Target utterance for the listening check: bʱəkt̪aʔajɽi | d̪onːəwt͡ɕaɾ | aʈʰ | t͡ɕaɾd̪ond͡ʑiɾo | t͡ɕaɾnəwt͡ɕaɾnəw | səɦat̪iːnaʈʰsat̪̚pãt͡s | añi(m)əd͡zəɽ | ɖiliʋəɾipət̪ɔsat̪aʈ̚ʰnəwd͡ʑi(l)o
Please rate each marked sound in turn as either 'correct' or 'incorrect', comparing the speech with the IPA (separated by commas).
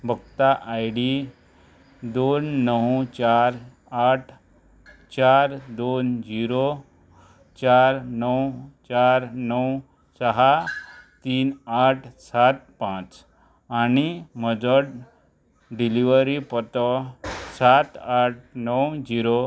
correct, incorrect